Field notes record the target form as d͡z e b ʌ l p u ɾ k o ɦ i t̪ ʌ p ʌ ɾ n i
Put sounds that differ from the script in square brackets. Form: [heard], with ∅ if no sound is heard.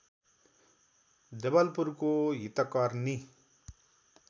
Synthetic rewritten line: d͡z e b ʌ l p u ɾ k o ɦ i t̪ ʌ [k] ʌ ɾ n i